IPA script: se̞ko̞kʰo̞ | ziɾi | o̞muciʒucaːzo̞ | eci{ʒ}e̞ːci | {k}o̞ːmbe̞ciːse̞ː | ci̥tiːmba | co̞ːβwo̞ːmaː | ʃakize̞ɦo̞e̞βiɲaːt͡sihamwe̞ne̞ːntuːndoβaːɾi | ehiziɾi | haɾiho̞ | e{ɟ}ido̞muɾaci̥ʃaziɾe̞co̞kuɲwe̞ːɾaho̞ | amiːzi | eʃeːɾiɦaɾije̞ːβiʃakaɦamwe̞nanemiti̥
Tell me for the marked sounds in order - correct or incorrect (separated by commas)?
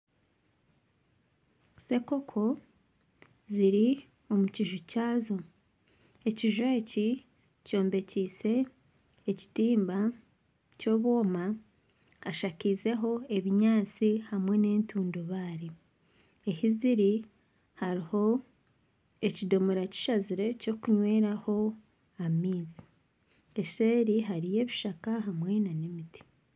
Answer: correct, incorrect, incorrect